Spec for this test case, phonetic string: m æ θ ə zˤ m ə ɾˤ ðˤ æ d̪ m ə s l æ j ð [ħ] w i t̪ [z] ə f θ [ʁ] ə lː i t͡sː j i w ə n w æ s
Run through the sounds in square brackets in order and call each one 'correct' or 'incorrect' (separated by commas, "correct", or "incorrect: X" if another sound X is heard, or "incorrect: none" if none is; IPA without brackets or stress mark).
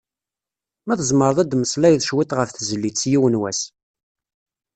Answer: incorrect: ʃ, incorrect: ʁ, incorrect: z